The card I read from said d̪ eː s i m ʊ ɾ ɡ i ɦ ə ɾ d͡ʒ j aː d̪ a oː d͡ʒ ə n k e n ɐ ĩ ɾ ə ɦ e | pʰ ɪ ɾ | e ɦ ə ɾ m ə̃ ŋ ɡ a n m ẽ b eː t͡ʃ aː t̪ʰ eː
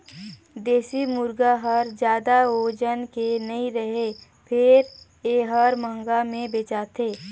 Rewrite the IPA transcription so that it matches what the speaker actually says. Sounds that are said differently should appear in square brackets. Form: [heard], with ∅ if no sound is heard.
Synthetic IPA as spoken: d̪ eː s i m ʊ ɾ ɡ [a] ɦ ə ɾ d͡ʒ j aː d̪ a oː d͡ʒ ə n k e n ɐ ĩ ɾ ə ɦ e | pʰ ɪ ɾ | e ɦ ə ɾ m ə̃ ŋ ɡ a [∅] m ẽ b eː t͡ʃ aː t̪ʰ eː